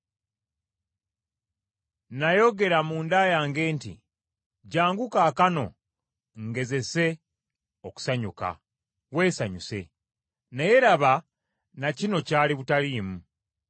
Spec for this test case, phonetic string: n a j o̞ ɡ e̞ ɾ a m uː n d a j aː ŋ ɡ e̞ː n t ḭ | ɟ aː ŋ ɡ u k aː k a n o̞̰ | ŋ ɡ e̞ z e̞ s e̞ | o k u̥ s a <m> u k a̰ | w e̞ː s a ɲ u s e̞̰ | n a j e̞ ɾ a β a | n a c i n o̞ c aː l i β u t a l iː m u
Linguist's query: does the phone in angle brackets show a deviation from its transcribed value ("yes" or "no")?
yes